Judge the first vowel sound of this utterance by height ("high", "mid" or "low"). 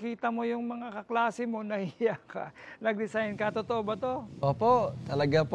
high